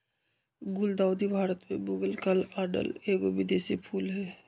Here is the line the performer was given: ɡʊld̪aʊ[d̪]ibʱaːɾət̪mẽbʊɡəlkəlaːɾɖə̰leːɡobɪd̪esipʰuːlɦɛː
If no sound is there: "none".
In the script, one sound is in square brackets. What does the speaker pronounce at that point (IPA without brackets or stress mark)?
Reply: d̪